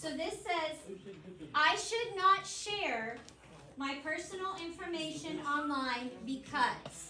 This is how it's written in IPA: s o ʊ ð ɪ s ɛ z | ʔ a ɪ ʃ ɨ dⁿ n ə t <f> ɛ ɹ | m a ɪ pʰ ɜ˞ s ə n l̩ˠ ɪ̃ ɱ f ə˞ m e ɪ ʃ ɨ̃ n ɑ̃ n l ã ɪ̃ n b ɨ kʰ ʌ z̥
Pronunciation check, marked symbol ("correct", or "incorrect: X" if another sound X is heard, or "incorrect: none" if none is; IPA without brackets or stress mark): incorrect: ʃ